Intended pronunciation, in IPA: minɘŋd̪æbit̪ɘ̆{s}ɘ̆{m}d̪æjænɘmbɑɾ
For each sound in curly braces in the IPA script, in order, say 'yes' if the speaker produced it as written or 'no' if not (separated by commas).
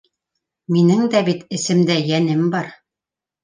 yes, yes